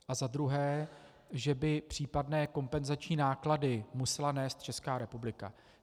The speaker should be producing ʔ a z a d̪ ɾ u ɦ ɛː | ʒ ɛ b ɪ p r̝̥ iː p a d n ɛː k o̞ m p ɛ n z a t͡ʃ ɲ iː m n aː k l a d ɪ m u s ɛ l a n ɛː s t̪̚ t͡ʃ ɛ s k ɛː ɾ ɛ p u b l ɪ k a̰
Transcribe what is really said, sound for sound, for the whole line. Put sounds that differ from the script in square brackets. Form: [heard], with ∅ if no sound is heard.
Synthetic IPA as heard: ʔ a z a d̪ ɾ u ɦ ɛː | ʒ ɛ b ɪ p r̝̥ iː p a d n ɛː k o̞ m p ɛ n z a t͡ʃ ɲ iː [∅] n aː k l a d ɪ m u s ɛ l a n ɛː s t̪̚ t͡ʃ ɛ s k [aː] ɾ ɛ p u b l ɪ k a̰